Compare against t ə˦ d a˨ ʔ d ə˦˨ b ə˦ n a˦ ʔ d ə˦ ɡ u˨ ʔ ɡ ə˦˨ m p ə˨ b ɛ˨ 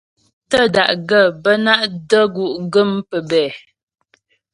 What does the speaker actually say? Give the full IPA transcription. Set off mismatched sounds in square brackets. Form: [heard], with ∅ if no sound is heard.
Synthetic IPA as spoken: t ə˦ d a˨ ʔ [ɡ] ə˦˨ b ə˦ n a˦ ʔ d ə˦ ɡ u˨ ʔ ɡ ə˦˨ m p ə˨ b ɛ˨